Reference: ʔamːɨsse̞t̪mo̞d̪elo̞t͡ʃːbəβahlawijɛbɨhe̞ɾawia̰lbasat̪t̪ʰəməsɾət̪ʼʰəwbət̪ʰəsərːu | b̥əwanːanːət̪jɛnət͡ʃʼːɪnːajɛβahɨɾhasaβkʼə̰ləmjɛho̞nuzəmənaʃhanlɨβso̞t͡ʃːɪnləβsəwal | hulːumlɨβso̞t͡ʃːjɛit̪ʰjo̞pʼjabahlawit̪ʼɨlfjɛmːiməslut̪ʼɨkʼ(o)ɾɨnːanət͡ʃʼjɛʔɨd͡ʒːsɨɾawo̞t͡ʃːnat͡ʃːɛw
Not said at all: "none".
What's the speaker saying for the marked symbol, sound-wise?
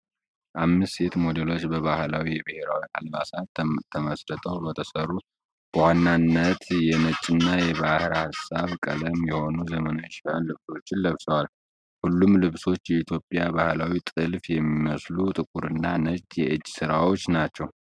u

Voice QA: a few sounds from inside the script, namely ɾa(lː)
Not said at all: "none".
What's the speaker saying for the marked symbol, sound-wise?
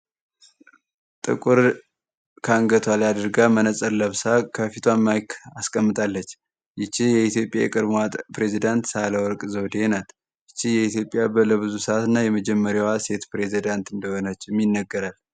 l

